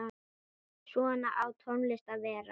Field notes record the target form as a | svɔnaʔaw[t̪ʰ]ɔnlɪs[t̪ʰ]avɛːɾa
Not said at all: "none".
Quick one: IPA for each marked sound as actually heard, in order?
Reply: t̪ʰ, t̪

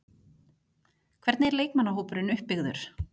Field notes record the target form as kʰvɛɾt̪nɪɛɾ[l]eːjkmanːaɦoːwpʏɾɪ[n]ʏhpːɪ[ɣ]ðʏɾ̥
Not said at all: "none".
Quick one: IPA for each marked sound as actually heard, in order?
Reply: l, n, ɣ

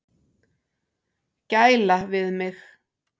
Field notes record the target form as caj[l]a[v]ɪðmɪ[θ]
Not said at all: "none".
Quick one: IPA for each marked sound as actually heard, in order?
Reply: l, v, x

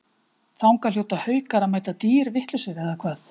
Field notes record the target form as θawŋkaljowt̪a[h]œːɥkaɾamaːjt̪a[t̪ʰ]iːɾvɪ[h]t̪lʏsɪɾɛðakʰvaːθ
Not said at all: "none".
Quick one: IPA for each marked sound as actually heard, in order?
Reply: h, t̪, h

